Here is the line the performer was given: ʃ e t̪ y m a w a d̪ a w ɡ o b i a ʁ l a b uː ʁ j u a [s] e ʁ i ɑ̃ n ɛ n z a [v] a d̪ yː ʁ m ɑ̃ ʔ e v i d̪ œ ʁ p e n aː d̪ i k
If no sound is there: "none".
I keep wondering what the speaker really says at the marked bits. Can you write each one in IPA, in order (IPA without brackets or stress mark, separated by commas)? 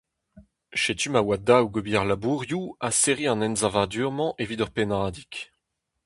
s, v